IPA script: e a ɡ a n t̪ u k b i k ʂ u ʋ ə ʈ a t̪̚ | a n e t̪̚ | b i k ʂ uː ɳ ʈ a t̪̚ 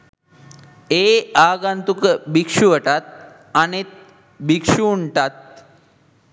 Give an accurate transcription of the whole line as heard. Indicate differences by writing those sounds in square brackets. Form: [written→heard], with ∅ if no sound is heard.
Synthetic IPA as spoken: e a ɡ a n t̪ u k b i k ʂ u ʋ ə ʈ a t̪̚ | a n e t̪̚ | b i k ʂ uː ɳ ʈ a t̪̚